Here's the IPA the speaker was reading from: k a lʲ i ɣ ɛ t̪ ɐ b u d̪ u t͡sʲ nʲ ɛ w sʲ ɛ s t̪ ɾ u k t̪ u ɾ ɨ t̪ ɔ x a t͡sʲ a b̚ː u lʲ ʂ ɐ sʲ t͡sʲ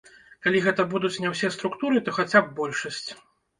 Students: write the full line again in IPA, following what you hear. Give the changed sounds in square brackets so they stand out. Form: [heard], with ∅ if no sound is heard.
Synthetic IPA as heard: k a lʲ i ɣ ɛ t̪ ɐ b u d̪ u t͡sʲ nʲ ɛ w sʲ ɛ s t̪ ɾ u k t̪ u ɾ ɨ t̪ ɔ x a t͡sʲ a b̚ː [ɔ] lʲ ʂ ɐ sʲ t͡sʲ